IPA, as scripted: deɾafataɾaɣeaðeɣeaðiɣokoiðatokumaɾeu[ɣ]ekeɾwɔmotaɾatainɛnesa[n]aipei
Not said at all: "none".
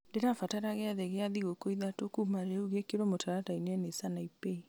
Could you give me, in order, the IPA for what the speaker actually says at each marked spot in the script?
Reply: ɣ, n

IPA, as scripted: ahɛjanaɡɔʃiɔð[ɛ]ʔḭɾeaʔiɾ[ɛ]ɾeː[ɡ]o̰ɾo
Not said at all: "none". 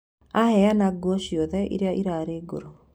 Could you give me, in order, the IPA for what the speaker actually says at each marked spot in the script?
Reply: ɛ, a, ɡ

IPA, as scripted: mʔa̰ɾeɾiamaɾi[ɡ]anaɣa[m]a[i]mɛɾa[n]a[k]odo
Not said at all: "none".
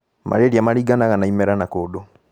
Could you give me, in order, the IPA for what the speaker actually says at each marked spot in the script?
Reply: ɡ, n, i, n, k

